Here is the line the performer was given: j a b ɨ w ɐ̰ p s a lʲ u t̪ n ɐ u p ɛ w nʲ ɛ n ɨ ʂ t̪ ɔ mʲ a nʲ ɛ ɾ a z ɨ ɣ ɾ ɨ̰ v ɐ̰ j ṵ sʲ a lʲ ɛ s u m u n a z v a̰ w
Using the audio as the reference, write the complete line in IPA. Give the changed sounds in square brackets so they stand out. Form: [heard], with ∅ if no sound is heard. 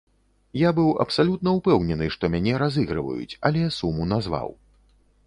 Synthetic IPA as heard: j a b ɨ w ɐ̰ p s a lʲ u t̪ n ɐ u p ɛ w nʲ ɛ n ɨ ʂ t̪ ɔ mʲ a nʲ ɛ ɾ a z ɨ ɣ ɾ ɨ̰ v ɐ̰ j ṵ [t͡sʲ] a lʲ ɛ s u m u n a z v a̰ w